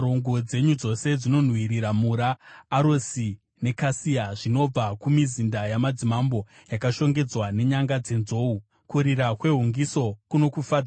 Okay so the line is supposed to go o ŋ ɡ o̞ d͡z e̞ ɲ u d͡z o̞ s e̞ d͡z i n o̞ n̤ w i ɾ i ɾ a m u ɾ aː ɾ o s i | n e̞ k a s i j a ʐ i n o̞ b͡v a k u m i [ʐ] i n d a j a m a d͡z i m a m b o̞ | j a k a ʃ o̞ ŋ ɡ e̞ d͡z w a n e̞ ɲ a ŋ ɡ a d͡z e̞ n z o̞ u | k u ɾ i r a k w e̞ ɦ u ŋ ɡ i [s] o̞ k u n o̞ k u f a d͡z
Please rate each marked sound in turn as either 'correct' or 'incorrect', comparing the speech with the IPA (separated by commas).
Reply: incorrect, correct